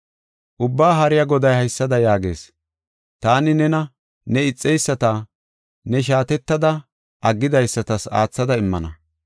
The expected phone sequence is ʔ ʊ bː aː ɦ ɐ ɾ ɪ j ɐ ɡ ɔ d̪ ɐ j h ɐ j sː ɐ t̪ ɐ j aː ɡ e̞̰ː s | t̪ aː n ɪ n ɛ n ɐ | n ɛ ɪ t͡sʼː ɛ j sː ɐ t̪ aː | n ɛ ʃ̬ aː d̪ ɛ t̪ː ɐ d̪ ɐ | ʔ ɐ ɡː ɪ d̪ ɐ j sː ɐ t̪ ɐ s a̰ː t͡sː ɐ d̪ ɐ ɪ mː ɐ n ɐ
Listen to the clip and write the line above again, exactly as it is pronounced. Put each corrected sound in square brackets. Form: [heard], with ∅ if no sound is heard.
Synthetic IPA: ʔ ʊ bː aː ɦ ɐ ɾ ɪ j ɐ ɡ ɔ d̪ ɐ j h ɐ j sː ɐ [d̪] ɐ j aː ɡ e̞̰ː s | t̪ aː n ɪ n ɛ n ɐ | n ɛ ɪ t͡sʼː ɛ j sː ɐ t̪ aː | n ɛ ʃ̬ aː [t̪] ɛ t̪ː ɐ d̪ ɐ | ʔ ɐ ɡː ɪ d̪ ɐ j sː ɐ t̪ ɐ s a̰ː t͡sː ɐ d̪ ɐ ɪ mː ɐ n ɐ